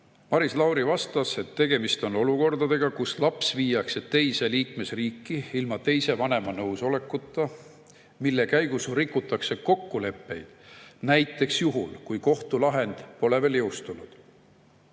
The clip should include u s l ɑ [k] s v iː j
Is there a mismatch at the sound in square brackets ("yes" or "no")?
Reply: yes